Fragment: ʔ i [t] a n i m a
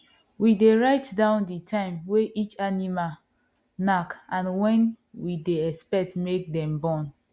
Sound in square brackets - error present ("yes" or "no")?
yes